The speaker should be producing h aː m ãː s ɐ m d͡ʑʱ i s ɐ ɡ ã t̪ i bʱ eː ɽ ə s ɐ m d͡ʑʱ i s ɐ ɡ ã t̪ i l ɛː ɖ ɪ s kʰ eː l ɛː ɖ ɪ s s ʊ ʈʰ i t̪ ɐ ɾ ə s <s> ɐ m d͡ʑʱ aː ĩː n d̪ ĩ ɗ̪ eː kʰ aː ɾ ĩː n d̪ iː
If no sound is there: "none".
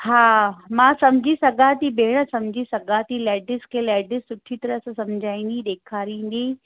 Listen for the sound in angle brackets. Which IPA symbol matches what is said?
s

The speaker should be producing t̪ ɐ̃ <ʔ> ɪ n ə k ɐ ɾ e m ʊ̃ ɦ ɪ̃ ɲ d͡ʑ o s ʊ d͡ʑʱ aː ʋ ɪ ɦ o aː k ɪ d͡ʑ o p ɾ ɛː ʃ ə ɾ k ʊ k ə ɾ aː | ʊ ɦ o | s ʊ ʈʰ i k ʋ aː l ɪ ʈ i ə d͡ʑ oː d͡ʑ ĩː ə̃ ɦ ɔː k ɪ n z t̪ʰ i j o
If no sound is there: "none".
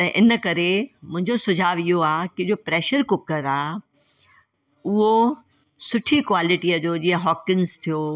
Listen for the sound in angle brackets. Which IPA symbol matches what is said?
ʔ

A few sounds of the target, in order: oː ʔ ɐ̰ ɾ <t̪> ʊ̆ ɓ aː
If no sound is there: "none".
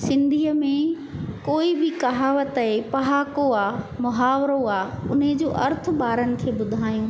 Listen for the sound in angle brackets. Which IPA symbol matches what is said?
t̪ʰ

